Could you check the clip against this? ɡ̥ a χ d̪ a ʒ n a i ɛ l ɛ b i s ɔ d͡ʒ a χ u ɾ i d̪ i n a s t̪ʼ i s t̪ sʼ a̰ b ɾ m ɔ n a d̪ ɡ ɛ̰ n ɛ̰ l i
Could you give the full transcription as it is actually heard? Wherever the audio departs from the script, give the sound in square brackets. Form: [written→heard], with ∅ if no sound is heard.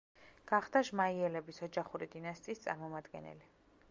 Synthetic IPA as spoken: ɡ̥ a χ d̪ a ʒ [n→m] a i ɛ l ɛ b i s ɔ d͡ʒ a χ u ɾ i d̪ i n a s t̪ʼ [i→iː] s t̪ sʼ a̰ [b→∅] ɾ m ɔ [n→m] a d̪ ɡ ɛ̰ n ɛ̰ l i